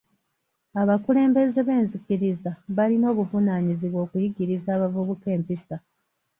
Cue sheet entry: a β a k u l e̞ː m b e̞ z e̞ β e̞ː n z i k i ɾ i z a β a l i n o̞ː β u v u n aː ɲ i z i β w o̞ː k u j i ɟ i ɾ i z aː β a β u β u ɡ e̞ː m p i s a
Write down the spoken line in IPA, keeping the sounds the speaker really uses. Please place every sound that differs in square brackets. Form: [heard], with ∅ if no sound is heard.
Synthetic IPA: a β a k u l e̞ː m b e̞ z e̞ β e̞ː n z i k i ɾ i z a β a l i n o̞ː β u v u n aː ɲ i z i β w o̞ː k u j i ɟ i ɾ i z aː β a [v] u β u [k] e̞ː m p i s a